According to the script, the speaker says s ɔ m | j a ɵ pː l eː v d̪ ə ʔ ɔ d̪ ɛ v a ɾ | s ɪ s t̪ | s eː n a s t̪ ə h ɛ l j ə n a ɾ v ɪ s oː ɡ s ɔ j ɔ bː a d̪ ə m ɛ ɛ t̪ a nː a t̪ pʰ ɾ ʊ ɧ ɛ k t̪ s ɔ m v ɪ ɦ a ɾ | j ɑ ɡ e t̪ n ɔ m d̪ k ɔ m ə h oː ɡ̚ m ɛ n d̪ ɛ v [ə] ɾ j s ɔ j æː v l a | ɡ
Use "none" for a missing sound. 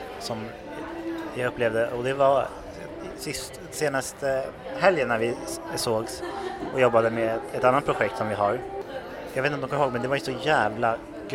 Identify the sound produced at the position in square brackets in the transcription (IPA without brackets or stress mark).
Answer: a